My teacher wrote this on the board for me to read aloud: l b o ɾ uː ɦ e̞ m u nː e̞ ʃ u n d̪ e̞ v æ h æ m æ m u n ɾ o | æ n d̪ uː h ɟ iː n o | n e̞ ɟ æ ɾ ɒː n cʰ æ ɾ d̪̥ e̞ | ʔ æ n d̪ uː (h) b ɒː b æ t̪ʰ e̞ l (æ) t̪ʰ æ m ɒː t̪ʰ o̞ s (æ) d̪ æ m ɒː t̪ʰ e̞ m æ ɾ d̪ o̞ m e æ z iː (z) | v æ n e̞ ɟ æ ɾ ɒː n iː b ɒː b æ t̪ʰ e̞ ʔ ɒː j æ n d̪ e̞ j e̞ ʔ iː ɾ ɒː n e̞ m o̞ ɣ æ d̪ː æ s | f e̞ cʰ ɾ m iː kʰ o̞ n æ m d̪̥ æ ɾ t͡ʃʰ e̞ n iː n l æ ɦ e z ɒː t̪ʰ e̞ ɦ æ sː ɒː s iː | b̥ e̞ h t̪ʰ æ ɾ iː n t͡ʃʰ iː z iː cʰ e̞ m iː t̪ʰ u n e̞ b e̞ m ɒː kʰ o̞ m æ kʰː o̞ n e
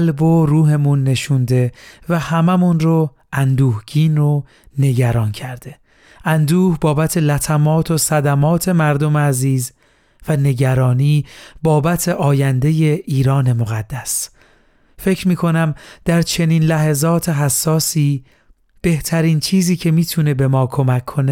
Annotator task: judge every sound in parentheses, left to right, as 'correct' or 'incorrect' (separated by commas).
correct, correct, correct, correct